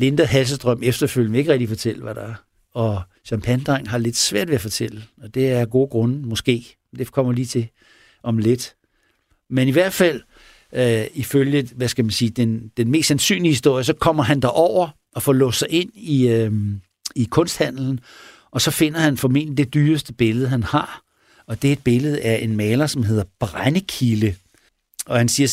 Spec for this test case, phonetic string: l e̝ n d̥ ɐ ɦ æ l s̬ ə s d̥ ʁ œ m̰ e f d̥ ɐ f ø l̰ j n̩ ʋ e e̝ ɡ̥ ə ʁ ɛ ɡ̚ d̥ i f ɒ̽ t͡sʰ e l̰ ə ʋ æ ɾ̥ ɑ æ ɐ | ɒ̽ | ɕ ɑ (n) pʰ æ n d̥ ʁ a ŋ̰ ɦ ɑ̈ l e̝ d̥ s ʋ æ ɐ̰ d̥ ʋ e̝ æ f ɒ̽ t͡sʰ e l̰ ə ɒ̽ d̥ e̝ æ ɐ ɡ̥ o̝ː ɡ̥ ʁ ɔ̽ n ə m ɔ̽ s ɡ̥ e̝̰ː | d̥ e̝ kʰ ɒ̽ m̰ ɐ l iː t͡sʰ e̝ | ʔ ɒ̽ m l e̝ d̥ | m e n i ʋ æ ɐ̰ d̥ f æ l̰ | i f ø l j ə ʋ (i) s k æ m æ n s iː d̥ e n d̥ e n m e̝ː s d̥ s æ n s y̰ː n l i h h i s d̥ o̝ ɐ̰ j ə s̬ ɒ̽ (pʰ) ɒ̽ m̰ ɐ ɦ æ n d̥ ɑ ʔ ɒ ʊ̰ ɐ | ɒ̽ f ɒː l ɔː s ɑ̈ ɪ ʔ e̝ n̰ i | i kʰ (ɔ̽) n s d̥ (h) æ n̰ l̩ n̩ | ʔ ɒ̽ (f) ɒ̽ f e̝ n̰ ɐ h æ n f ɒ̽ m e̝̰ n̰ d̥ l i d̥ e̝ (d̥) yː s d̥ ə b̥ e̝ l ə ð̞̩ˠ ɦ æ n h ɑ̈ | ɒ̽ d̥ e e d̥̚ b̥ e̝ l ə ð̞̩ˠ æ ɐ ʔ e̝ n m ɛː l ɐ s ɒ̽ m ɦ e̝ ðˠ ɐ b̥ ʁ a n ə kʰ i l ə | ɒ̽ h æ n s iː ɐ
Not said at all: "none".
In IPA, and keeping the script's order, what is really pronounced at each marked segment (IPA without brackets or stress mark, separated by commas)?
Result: m, æ, kʰ, ɔ̽, h, s, d̥